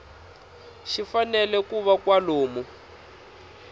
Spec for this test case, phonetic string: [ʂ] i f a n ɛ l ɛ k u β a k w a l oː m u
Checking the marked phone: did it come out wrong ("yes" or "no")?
yes